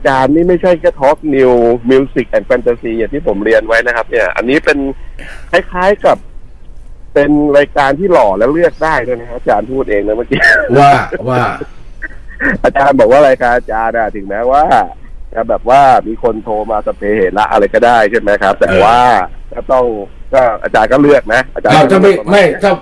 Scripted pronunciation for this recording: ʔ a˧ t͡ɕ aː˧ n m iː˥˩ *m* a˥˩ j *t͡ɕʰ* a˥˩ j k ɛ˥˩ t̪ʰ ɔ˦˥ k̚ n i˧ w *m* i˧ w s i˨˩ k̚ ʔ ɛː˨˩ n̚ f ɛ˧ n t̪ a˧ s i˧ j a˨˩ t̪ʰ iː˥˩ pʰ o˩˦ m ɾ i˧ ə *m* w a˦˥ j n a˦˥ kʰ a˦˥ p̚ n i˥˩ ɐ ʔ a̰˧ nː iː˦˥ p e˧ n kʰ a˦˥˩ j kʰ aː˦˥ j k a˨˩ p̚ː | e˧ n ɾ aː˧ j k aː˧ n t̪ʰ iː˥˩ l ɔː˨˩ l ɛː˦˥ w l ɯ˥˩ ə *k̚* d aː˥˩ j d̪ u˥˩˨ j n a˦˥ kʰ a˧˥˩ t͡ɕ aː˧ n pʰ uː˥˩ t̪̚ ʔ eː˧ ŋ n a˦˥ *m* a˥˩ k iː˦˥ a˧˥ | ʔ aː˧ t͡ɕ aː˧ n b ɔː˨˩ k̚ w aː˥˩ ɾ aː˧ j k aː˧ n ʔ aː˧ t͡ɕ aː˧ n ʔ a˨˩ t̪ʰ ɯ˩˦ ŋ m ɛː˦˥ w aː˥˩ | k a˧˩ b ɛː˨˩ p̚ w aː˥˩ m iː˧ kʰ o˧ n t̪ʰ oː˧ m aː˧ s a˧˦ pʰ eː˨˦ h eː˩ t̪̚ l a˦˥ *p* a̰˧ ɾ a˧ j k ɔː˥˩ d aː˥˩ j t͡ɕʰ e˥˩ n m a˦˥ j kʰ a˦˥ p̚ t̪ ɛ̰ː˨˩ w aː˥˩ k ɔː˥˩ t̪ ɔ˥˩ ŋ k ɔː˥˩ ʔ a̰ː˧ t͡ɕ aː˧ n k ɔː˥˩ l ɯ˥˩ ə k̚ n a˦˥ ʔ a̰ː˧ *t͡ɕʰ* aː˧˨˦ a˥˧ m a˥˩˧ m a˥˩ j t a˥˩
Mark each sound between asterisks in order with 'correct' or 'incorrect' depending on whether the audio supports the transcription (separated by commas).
correct, correct, correct, incorrect, correct, correct, incorrect, incorrect